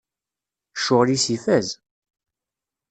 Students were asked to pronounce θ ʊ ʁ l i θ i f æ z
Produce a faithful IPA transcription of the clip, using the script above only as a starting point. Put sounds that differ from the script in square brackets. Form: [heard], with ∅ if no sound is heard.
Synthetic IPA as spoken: [ʃ] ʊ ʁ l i [s] i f æ z